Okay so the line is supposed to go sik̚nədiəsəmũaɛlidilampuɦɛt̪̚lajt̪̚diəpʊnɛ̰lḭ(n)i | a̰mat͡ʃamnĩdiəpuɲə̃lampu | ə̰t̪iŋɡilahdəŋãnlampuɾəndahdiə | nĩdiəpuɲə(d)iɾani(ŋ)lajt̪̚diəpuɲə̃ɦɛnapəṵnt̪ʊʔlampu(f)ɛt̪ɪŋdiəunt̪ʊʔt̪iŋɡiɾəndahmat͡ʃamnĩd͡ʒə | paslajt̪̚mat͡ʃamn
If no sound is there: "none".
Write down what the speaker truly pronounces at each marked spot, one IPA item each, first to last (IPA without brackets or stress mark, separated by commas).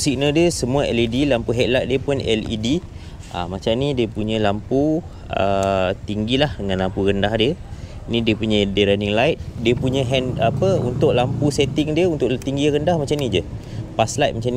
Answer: d, d, ŋ, s